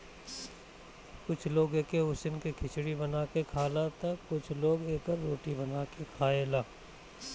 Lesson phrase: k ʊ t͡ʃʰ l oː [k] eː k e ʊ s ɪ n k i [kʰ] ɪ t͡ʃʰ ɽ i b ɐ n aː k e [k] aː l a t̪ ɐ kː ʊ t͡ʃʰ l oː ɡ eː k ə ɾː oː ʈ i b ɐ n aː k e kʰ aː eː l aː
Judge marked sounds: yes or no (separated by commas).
no, yes, no